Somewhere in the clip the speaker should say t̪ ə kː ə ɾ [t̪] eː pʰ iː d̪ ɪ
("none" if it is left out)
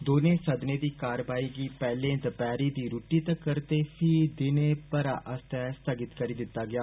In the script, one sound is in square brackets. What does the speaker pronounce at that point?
t̪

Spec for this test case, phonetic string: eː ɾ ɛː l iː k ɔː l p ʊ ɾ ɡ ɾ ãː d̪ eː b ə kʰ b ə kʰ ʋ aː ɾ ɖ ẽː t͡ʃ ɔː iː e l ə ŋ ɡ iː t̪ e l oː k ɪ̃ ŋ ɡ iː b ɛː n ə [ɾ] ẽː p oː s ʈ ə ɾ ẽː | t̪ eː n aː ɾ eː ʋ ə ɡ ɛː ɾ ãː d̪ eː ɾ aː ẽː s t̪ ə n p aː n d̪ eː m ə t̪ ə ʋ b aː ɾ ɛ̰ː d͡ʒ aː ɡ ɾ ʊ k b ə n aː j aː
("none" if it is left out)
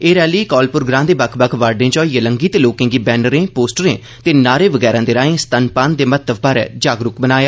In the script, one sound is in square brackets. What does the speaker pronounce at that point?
ɾ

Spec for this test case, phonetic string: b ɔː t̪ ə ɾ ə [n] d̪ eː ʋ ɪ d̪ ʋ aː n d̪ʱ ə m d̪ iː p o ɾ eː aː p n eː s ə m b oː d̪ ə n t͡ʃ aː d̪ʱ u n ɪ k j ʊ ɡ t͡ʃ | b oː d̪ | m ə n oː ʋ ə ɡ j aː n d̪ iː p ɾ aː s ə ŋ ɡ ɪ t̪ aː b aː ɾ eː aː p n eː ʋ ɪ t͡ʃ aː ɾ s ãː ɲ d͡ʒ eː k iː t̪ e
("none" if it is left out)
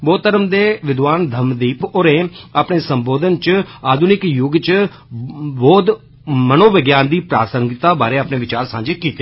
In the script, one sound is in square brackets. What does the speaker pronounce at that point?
m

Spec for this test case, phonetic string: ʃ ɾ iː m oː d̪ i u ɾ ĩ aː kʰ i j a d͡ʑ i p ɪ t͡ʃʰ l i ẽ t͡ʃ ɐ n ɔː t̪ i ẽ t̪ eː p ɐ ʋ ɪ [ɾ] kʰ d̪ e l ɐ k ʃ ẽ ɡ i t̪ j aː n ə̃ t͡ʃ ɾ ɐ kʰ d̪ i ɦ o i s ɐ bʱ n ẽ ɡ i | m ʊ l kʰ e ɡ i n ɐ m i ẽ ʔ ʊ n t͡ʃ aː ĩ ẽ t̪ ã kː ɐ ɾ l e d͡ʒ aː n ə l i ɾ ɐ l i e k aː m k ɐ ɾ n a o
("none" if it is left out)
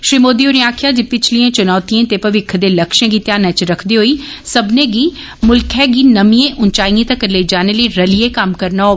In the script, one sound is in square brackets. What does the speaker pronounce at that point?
none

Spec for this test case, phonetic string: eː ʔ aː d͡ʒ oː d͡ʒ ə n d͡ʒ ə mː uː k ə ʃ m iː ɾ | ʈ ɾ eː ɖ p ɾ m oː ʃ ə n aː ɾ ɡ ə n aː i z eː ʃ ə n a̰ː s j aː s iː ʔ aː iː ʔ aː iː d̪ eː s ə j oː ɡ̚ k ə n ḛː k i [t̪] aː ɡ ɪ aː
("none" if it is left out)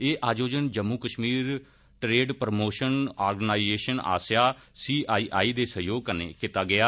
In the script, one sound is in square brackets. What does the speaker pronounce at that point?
t̪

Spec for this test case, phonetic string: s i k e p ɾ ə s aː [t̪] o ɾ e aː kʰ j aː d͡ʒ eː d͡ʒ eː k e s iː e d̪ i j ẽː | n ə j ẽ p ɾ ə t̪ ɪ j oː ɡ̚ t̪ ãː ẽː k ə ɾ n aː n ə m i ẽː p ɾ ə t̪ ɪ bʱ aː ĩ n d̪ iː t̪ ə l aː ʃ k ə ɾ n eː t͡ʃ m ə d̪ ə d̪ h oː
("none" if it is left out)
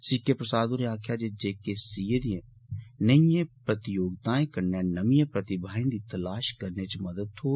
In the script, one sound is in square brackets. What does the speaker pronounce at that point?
d̪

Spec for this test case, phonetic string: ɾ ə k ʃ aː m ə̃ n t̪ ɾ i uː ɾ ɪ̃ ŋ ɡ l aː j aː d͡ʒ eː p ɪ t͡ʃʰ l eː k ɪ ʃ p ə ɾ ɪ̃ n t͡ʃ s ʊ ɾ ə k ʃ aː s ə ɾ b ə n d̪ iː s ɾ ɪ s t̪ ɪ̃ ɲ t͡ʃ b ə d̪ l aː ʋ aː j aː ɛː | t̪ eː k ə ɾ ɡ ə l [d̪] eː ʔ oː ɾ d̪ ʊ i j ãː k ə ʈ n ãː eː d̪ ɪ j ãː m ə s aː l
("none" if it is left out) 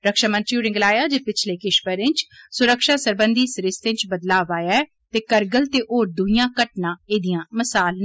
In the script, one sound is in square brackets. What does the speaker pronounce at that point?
t̪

